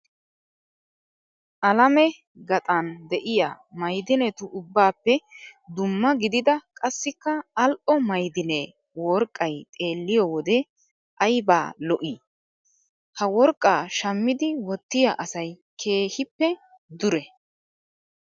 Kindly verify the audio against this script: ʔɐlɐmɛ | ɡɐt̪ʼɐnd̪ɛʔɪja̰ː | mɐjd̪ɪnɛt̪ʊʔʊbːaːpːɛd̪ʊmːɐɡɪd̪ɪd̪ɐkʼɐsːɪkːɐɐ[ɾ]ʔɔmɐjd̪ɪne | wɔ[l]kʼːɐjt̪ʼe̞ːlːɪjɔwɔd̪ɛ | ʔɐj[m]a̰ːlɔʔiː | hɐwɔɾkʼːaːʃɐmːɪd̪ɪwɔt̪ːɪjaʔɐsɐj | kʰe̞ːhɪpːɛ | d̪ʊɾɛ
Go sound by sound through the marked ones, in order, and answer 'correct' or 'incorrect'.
incorrect: l, incorrect: ɾ, incorrect: b

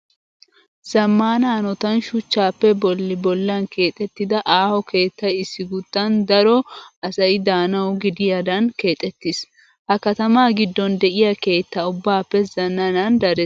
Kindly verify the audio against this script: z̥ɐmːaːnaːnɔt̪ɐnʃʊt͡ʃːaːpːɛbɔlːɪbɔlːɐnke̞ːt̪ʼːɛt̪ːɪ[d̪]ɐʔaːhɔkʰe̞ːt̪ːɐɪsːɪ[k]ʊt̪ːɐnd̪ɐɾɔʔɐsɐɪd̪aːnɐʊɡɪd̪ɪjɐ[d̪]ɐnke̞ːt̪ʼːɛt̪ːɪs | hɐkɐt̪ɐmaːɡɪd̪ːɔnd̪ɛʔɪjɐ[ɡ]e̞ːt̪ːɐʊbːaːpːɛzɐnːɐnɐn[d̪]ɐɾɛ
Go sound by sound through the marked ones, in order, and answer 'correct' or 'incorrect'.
correct, incorrect: ɡ, correct, incorrect: k, correct

